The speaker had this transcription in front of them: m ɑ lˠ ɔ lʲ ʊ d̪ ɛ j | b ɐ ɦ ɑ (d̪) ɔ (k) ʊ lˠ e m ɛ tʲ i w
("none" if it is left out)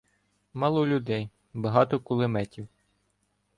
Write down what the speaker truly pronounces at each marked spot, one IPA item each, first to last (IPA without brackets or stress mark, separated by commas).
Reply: t̪, k